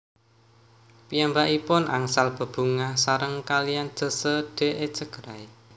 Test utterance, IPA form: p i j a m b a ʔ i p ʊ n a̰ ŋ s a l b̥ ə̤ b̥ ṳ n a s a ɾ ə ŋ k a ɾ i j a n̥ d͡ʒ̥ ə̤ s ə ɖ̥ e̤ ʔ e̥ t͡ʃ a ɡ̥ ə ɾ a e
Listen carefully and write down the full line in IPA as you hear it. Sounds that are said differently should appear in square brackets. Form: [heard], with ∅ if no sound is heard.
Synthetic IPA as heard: p i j a m b a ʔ i p ʊ n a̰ ŋ s a l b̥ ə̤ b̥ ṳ [ŋ] a s a ɾ ə ŋ k a [l] i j a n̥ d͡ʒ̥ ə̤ s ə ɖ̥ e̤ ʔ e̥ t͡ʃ [ə] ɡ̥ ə ɾ a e